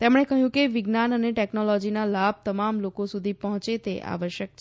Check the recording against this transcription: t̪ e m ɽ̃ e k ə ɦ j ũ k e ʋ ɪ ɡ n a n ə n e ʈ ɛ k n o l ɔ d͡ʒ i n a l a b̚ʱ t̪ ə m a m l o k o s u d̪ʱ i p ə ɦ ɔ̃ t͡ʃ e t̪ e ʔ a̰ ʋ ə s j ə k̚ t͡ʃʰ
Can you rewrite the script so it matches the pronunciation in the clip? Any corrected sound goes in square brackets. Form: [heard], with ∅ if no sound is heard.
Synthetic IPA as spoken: t̪ e m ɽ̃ e k ə ɦ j ũ k e ʋ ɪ ɡ n a n ə n e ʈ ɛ k n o l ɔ d͡ʒ i n a l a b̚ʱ t̪ ə m a m l o k o s u d̪ʱ i p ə ɦ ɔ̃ t͡ʃ e t̪ e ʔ a̰ ʋ ə [ʃ] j ə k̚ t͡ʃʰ